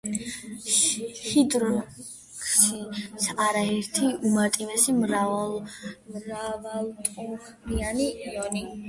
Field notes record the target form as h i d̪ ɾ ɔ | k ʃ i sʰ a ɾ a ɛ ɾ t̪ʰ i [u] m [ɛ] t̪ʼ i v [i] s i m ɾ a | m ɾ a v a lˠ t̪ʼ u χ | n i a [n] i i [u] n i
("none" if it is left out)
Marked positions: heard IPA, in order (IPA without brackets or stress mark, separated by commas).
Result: u, a, ɛ, n, ɔ